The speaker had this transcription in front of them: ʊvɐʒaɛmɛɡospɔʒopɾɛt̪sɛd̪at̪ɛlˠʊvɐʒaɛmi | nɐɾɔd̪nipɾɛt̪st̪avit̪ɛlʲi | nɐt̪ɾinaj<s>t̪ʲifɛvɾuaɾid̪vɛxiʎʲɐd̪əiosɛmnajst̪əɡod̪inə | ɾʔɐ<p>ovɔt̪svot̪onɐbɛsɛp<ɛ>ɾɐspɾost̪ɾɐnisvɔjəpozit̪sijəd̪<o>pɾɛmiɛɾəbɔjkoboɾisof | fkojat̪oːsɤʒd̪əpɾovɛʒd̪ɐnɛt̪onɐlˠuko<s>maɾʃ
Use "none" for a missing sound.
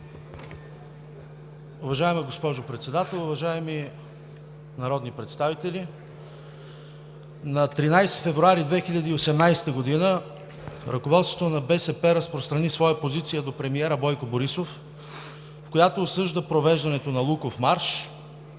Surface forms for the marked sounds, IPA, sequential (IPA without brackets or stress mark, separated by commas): s, k, ɛ, o, f